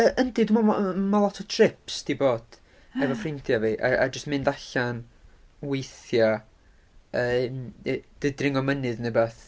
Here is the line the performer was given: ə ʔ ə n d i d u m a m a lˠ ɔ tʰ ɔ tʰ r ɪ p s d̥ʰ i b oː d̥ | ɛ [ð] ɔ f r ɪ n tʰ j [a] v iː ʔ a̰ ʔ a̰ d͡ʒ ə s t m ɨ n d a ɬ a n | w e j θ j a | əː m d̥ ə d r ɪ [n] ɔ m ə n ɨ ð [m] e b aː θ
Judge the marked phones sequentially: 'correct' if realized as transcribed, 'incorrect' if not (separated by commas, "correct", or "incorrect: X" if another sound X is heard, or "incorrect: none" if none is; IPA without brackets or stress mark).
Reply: incorrect: v, correct, incorrect: ŋ, incorrect: n